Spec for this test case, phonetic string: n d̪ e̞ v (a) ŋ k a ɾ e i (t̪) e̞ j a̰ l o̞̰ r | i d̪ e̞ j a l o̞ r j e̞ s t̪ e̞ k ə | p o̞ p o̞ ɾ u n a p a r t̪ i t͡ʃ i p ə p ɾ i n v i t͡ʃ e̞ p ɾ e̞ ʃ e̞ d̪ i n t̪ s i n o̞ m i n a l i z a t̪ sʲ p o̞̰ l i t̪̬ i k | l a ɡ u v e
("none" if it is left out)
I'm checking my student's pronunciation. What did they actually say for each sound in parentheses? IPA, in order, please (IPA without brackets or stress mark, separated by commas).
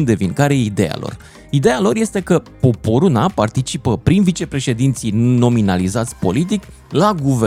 i, d̪